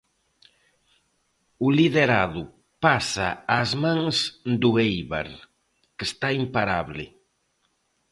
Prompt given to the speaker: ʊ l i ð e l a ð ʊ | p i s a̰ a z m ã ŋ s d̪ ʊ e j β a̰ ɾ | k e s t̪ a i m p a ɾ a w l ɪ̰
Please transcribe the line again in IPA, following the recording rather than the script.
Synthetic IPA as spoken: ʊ l i ð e ɾ a ð ʊ | p a s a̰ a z m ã ŋ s d̪ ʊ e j β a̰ ɾ | k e s t̪ a i m p a ɾ a β l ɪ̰